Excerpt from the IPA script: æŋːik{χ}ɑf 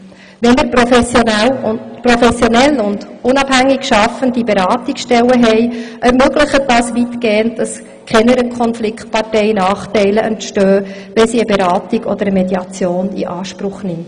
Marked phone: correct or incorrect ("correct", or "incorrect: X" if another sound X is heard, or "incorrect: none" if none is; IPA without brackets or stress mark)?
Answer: incorrect: ʃ